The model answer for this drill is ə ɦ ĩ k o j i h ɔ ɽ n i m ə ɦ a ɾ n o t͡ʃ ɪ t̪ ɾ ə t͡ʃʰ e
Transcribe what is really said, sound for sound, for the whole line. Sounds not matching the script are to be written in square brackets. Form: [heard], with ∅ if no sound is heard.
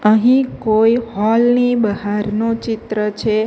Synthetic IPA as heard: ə ɦ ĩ k o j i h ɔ [l] n i [b] ə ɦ a ɾ n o t͡ʃ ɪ t̪ ɾ ə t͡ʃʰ e